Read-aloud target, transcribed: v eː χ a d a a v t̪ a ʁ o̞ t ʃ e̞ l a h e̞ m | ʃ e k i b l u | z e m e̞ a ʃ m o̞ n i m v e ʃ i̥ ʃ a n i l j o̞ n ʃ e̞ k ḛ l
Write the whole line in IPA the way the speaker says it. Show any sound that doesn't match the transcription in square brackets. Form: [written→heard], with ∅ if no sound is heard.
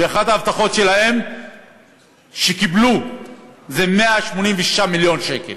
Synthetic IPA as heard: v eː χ a d a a v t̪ a [ʁ→χ] o̞ t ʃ e̞ l a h e̞ m | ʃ e k i b l u | z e m e̞ a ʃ m o̞ n i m v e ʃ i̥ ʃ a [n→m] i l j o̞ n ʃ e̞ k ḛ l